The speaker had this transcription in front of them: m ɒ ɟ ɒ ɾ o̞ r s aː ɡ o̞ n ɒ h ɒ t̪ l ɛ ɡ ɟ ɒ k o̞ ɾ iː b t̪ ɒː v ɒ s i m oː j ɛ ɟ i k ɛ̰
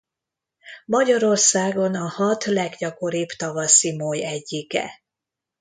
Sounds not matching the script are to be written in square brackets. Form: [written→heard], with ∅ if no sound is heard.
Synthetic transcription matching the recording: m ɒ ɟ ɒ ɾ o̞ r s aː ɡ o̞ n ɒ h ɒ t̪ l ɛ ɡ ɟ ɒ k o̞ ɾ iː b t̪ [ɒː→ɒ] v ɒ s i m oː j ɛ [ɟ→ɟː] i k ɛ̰